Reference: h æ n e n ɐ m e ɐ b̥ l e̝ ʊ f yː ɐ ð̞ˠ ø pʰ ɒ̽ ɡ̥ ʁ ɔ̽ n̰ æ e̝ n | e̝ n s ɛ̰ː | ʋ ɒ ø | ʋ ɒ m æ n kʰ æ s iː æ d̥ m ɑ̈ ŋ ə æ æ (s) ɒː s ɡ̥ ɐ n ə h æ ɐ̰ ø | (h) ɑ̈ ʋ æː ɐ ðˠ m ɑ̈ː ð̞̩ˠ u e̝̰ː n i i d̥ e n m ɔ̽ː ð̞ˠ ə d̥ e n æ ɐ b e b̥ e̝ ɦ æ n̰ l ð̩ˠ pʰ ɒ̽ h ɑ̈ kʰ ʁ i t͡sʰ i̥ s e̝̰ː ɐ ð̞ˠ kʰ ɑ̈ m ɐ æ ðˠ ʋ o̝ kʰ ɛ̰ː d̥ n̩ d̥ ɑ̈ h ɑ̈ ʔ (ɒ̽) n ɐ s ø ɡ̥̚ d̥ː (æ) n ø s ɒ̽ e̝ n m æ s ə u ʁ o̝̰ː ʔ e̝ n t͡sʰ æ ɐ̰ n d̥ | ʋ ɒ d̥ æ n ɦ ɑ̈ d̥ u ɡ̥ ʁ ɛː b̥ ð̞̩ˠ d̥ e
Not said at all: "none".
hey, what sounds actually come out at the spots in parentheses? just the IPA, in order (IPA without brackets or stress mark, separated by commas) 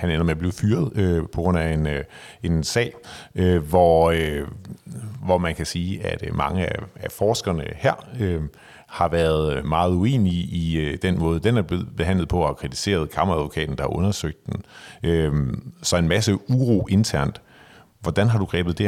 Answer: f, h, ɔ̽, e